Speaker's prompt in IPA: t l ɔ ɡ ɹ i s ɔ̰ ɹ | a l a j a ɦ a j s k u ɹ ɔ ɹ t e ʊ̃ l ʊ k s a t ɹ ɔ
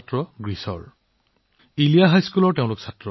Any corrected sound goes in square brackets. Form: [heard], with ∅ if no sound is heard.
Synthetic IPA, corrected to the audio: t [ɹ] ɔ ɡ ɹ i s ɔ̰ ɹ | [i] l [i] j a ɦ a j s k u [l] ɔ ɹ t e ʊ̃ l ʊ k s a t ɹ ɔ